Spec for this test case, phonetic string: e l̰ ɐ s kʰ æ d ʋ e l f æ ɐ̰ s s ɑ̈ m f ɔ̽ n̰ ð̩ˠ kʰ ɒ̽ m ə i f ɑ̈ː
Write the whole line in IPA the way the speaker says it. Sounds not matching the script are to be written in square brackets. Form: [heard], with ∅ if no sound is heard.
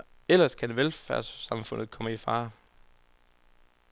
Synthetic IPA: e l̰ ɐ s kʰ æ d ʋ e l f æ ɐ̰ s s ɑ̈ m f ɔ̽ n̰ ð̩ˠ kʰ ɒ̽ m ə i f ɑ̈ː

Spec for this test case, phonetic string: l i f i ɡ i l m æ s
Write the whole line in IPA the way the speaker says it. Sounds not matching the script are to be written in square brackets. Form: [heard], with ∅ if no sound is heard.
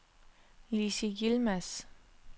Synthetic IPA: l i [s] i ɡ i l m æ s

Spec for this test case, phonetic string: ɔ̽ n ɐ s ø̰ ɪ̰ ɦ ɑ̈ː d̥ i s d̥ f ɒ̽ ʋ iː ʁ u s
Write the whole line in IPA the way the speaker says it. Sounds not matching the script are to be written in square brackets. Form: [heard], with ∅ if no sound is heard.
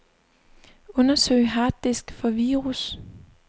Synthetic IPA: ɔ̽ n ɐ s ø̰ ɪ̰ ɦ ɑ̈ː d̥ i s [ɡ̥] f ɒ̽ ʋ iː ʁ u s

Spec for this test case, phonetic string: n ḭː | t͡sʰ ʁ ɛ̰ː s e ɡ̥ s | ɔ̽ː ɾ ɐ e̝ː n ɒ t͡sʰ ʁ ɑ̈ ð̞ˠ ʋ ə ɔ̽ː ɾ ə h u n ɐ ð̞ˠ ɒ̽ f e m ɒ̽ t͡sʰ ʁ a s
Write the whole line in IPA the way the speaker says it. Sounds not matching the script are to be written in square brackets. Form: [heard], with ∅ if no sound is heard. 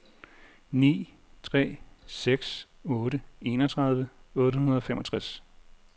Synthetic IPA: n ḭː | t͡sʰ ʁ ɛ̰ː s e ɡ̥ s | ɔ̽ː ɾ [ə] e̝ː n ɒ t͡sʰ ʁ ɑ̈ ð̞ˠ ʋ ə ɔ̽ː ɾ ə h u n ɐ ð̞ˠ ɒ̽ f e m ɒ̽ t͡sʰ ʁ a s

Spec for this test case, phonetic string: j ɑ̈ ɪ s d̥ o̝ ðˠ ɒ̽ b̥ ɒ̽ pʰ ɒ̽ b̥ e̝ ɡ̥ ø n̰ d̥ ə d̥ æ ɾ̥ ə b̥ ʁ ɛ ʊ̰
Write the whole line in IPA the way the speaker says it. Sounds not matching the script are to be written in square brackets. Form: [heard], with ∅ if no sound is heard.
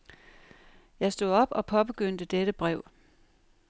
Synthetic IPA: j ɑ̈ ɪ s d̥ o̝ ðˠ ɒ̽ b̥ ɒ̽ pʰ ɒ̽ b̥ e̝ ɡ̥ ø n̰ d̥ ə d̥ [e] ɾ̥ ə b̥ ʁ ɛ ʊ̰

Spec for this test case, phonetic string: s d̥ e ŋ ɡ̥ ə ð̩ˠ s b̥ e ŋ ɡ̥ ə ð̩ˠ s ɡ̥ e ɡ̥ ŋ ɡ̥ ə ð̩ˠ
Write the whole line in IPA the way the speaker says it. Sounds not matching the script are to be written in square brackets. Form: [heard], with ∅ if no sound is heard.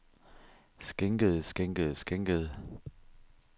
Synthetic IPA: s [ɡ̥] e ŋ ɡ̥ ə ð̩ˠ s [ɡ̥] e ŋ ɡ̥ ə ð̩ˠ s ɡ̥ e [∅] ŋ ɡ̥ ə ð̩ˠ

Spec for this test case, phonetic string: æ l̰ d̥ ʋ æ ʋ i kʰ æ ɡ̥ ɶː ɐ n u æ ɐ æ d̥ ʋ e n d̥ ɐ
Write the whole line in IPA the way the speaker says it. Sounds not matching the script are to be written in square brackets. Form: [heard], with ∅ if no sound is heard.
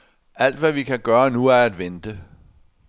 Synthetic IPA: æ l̰ d̥ ʋ æ ʋ i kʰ æ ɡ̥ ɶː ɐ n u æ ɐ æ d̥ ʋ e n d̥ [ə]

